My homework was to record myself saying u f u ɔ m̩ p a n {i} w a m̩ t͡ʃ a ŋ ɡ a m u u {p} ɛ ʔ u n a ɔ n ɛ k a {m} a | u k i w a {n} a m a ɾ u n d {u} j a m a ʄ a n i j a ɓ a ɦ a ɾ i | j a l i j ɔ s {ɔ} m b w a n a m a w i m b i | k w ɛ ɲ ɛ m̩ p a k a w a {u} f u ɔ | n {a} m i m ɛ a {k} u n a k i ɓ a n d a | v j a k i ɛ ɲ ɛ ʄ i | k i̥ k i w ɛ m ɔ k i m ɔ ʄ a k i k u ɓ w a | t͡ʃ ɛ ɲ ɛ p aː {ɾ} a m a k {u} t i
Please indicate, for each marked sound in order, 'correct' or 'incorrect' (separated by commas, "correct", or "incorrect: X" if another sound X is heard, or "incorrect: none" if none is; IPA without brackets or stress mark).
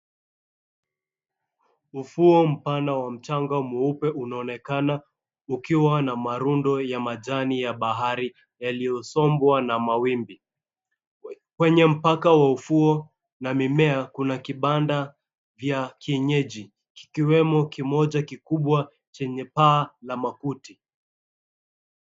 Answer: incorrect: a, correct, incorrect: n, correct, incorrect: ɔ, correct, correct, correct, correct, incorrect: l, correct